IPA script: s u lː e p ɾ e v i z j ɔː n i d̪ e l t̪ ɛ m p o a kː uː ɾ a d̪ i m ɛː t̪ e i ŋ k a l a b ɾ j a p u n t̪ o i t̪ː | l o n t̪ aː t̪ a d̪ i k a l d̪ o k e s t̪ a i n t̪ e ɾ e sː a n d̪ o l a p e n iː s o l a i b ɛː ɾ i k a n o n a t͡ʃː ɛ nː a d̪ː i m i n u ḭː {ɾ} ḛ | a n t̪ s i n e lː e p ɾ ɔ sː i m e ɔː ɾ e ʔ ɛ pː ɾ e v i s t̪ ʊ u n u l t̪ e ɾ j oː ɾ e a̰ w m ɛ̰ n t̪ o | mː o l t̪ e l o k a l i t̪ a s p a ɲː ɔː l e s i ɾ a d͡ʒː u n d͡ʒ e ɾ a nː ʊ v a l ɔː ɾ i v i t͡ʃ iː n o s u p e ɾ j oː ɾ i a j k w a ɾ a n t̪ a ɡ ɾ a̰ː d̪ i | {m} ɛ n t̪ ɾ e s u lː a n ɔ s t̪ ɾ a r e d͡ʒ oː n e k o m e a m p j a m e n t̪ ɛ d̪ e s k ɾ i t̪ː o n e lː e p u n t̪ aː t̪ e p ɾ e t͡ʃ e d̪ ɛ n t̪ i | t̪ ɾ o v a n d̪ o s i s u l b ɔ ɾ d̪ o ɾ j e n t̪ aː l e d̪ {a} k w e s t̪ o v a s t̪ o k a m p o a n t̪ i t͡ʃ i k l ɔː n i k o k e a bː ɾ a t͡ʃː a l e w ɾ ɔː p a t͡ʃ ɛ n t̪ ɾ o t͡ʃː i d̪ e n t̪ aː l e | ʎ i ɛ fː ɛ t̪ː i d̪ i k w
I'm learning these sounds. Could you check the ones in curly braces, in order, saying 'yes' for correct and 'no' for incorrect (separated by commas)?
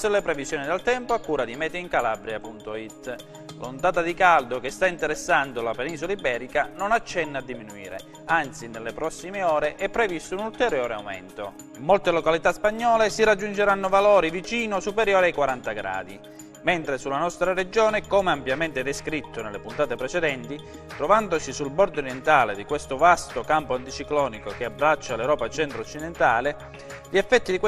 yes, yes, no